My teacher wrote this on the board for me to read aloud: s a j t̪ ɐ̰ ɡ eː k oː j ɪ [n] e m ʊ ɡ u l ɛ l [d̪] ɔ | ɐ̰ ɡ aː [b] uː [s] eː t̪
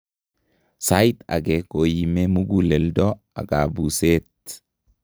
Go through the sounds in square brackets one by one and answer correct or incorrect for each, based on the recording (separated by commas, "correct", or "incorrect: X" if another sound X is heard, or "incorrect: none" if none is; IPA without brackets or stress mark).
incorrect: m, correct, correct, correct